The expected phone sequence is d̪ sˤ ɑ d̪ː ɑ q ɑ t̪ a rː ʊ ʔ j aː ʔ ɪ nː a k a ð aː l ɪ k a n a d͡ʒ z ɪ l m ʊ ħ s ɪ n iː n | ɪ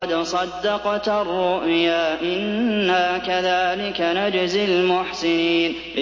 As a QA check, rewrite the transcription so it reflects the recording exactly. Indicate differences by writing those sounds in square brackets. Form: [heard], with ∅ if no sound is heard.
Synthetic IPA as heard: d̪ sˤ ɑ d̪ː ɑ q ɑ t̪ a rː ʊ ʔ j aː ʔ ɪ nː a k a ð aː l ɪ k a n a d͡ʒ z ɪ l m ʊ ħ s ɪ n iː n | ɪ